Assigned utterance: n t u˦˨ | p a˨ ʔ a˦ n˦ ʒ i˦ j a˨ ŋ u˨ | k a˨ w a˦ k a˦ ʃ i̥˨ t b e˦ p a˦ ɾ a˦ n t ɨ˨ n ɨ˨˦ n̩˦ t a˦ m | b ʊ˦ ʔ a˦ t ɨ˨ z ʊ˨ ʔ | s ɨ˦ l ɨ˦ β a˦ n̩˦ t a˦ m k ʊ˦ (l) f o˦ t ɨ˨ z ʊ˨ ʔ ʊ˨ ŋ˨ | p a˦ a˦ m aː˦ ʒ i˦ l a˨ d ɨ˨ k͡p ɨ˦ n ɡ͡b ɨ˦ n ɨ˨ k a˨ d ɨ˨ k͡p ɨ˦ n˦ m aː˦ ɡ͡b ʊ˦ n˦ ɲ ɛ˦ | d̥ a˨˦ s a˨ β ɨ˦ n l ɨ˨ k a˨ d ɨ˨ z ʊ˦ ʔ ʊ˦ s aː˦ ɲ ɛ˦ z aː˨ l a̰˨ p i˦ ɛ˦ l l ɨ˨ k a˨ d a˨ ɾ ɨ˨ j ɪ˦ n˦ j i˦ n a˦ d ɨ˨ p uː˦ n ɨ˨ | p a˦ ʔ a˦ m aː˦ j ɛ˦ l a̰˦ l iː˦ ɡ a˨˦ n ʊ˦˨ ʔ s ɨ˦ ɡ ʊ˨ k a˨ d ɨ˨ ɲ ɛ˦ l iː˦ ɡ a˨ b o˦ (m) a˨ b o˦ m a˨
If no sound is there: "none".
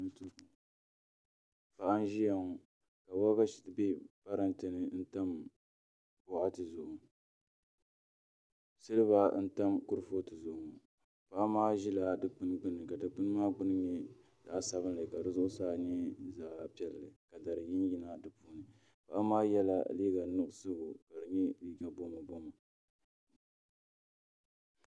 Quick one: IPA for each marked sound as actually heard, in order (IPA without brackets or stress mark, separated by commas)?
ɾ, m